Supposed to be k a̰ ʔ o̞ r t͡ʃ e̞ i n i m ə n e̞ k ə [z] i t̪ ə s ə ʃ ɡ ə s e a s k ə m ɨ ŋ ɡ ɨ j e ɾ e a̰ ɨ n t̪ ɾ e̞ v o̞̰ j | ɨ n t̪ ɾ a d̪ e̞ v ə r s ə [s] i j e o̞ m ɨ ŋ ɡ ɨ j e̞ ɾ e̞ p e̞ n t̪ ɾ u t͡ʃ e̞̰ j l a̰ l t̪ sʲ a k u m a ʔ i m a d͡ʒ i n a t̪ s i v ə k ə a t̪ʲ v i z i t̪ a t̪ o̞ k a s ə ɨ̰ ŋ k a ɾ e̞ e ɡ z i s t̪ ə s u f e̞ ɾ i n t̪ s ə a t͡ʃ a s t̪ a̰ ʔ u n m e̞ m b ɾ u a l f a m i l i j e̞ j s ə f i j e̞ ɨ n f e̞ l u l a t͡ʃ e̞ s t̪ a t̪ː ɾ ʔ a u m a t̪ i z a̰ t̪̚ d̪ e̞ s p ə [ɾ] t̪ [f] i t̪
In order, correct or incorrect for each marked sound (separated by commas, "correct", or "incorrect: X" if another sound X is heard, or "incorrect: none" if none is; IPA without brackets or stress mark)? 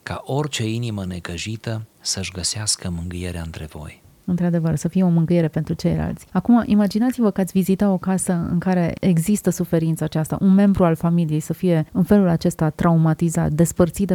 incorrect: ʒ, incorrect: f, incorrect: r, incorrect: s